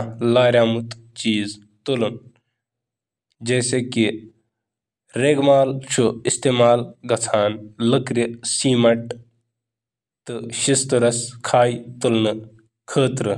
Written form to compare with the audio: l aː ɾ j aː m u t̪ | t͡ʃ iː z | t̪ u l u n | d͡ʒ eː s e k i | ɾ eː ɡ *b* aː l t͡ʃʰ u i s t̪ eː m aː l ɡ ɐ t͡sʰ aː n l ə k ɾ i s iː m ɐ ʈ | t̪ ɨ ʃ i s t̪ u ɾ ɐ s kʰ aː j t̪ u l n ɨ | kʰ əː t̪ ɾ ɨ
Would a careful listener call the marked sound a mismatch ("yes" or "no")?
yes